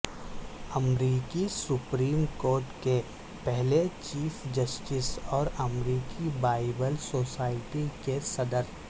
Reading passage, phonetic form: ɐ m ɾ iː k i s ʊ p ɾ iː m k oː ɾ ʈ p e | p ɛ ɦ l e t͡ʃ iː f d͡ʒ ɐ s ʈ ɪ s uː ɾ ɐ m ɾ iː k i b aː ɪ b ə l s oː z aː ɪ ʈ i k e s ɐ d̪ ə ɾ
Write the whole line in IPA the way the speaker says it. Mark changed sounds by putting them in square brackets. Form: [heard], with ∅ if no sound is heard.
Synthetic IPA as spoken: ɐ m ɾ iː k i s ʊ p ɾ iː m k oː ɾ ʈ [k] e | p ɛ ɦ l e t͡ʃ iː f d͡ʒ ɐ s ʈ ɪ s [ɔː] ɾ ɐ m ɾ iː k i b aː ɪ b ə l s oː [s] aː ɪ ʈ i k e s ɐ d̪ ə ɾ

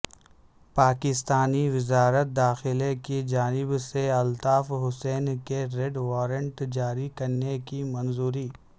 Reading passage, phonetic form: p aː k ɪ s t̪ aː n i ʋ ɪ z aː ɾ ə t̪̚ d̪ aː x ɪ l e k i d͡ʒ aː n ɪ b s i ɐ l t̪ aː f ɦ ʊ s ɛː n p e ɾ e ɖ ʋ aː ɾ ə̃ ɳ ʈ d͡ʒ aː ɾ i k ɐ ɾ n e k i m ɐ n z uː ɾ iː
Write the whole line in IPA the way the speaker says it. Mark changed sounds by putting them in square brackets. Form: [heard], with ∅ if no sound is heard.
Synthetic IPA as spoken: p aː k ɪ s t̪ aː n i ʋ ɪ z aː ɾ ə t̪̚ d̪ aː x ɪ l e k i d͡ʒ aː n ɪ b s [e] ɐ l t̪ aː f ɦ ʊ s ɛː n [k] e ɾ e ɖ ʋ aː ɾ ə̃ ɳ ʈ d͡ʒ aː ɾ i k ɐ ɾ n e k i m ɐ n z uː ɾ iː

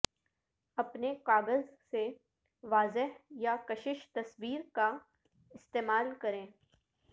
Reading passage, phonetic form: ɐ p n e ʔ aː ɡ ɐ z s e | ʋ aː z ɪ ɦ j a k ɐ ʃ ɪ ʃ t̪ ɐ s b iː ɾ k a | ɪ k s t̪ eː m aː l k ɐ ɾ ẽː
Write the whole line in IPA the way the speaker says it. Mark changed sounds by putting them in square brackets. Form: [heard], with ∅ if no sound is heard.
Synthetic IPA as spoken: ɐ p n e [k] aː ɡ [ə] z s e | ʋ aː z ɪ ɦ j a k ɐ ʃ ɪ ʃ t̪ ɐ s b iː ɾ k a | ɪ [∅] s t̪ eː m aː l k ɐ ɾ ẽː

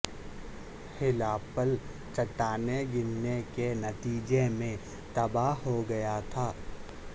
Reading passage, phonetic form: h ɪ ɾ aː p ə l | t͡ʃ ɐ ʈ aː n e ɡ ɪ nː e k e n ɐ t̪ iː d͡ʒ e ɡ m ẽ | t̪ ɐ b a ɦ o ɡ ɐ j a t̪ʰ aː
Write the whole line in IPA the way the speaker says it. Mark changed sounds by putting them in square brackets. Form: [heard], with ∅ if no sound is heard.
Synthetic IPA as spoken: h ɪ [l] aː p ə l | t͡ʃ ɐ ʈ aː n e ɡ ɪ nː e k e n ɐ t̪ iː d͡ʒ e [∅] m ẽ | t̪ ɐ b a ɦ o ɡ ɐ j a t̪ʰ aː

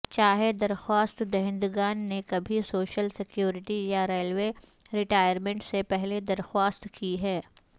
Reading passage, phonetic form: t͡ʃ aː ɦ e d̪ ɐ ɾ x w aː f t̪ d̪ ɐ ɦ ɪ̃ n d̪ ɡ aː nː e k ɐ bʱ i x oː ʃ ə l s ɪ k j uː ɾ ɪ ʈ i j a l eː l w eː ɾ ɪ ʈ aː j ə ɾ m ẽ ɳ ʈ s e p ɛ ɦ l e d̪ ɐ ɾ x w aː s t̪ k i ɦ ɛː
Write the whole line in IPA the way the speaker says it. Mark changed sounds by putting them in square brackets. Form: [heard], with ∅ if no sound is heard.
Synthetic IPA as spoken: t͡ʃ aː ɦ e d̪ ɐ ɾ x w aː [s] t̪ d̪ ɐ ɦ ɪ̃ n d̪ ɡ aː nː e k ɐ bʱ i [s] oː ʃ ə l s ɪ k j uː ɾ ɪ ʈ i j a [ɾ] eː l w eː ɾ ɪ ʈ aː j ə ɾ m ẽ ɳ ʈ s e p ɛ ɦ l e d̪ ɐ ɾ x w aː s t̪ k i ɦ ɛː

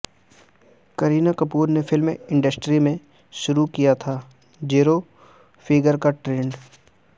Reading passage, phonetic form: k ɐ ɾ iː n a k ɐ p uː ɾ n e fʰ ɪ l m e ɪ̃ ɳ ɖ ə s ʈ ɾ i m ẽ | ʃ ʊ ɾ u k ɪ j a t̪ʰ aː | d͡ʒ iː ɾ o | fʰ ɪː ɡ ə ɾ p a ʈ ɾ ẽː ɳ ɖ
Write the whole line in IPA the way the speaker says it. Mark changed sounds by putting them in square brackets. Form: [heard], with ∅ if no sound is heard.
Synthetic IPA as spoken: k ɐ ɾ iː n a k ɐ p uː ɾ n e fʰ ɪ l m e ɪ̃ ɳ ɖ ə s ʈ ɾ i m ẽ | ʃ ʊ ɾ u k [i] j a t̪ʰ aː | d͡ʒ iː ɾ o | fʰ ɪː ɡ ə ɾ [k] a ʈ ɾ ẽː ɳ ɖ

